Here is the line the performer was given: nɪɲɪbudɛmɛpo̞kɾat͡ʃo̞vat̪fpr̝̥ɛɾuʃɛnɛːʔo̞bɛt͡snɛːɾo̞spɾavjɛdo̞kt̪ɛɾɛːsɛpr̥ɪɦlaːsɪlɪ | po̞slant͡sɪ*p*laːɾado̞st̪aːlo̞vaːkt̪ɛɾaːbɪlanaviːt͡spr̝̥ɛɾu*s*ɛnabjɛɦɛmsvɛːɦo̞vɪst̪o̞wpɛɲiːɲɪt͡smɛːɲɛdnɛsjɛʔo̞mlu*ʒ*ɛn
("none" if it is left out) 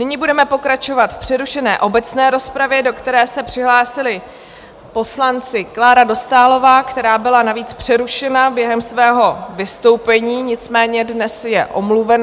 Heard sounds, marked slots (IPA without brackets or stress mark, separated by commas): k, ʃ, v